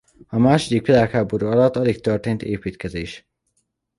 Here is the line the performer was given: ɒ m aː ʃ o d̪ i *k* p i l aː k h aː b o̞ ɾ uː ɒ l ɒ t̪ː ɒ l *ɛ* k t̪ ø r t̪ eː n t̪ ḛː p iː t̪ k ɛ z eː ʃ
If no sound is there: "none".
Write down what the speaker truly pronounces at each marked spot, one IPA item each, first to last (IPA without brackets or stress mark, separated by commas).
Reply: k, i